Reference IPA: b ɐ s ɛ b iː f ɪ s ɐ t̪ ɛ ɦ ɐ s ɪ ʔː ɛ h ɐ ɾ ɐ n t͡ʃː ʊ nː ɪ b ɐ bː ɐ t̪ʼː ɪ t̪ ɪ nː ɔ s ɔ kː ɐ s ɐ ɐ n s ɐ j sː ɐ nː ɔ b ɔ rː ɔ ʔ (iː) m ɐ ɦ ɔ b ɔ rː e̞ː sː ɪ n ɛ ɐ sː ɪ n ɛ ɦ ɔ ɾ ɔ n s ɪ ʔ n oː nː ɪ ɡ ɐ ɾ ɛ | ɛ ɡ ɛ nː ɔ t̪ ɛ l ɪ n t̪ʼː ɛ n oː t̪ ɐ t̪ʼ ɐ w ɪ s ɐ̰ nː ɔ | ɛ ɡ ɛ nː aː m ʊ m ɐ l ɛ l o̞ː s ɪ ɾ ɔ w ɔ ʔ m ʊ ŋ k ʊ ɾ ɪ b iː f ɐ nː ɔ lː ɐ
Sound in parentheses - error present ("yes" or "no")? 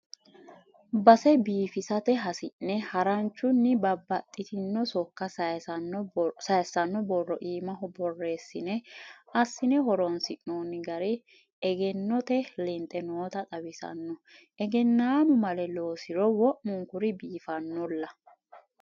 no